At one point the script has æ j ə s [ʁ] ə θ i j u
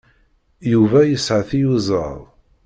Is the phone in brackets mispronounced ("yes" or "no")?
yes